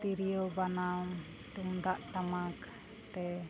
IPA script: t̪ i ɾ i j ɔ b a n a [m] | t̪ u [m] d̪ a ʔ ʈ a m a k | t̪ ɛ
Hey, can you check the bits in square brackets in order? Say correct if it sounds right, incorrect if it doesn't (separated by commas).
correct, incorrect